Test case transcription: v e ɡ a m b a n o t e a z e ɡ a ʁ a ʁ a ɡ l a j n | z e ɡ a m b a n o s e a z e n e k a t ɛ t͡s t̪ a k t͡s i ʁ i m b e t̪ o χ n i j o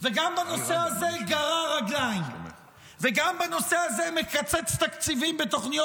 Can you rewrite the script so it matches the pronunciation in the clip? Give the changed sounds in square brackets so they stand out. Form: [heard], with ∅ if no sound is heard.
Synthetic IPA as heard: v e ɡ a m b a n o [s] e a z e ɡ a ʁ a ʁ a ɡ l a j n | [v] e ɡ a m b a n o s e a z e [m] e k a [t͡s] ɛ t͡s t̪ a k t͡s i [v] i m b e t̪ o χ n i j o